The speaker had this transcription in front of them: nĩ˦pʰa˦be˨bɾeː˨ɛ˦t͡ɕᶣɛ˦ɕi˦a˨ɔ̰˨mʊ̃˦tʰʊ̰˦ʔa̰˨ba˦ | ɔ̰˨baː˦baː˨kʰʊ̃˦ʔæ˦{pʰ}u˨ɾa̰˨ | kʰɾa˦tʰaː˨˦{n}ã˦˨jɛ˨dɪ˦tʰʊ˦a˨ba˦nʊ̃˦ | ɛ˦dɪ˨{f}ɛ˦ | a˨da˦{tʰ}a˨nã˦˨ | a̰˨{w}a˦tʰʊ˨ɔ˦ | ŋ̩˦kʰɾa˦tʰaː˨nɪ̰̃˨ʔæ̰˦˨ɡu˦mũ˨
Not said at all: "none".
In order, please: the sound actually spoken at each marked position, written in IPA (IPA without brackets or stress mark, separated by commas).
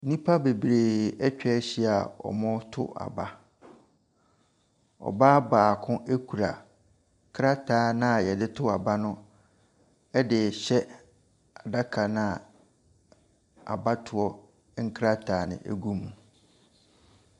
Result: kʰ, n, ɕ, kʰ, b